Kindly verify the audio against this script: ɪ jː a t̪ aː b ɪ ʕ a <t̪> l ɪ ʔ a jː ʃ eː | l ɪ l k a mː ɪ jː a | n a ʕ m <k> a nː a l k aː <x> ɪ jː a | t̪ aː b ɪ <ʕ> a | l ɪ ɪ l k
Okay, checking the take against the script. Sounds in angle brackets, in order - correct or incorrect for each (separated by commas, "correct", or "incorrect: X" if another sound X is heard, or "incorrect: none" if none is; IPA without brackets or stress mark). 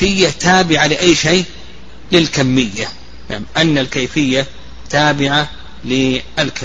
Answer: incorrect: none, incorrect: ʔ, incorrect: f, correct